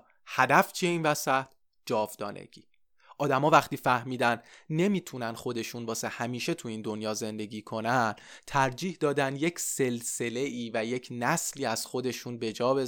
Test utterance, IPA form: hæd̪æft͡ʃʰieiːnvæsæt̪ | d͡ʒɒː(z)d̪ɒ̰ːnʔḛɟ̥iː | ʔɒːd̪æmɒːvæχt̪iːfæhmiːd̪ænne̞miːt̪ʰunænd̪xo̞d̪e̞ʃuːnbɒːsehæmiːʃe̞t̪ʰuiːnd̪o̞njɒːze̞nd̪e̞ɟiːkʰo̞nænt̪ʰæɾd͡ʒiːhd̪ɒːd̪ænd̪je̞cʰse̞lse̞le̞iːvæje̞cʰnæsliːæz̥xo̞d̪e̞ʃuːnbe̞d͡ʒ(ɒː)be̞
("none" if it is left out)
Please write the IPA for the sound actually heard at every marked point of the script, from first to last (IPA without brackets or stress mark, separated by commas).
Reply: v, ɒː